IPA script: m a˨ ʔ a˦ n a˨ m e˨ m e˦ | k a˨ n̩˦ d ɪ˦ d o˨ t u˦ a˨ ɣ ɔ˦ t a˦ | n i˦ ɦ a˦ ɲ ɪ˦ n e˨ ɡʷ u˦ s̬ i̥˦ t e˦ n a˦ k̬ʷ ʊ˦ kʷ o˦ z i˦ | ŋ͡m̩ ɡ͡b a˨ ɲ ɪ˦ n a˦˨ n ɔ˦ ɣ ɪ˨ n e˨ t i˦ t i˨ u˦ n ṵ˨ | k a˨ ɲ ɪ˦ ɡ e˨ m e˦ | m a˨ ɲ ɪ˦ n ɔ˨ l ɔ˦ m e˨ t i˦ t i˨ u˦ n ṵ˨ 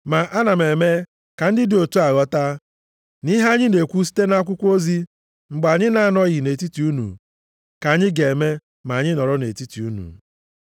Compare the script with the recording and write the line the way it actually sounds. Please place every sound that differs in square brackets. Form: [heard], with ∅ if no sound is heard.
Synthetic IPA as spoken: m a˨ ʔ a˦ n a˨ m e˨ m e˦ | k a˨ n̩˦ d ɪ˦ d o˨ t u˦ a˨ ɣ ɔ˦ t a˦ | n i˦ ɦ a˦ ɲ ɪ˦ n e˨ [kʷ] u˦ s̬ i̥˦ t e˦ n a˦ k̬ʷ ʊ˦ kʷ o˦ z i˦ | ŋ͡m̩ ɡ͡b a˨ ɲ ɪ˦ n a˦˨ n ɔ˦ ɣ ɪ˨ n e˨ t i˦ t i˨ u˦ n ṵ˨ | k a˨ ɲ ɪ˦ ɡ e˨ m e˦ | m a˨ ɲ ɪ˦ n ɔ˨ [ɾ] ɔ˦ [n] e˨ t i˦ t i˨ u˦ n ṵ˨